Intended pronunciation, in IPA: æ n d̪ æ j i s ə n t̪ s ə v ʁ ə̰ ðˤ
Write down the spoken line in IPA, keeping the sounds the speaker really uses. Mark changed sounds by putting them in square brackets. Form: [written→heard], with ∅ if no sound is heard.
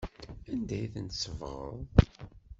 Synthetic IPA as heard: æ n d̪ æ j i [s→θ] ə n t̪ s ə v ʁ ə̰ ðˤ